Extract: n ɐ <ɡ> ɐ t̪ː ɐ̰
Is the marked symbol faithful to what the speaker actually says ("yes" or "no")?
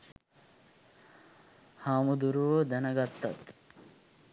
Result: yes